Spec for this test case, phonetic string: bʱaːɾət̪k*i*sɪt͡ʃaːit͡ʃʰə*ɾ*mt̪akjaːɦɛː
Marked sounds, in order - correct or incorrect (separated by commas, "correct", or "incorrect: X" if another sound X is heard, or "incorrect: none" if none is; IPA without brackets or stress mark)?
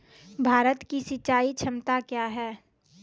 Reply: correct, incorrect: none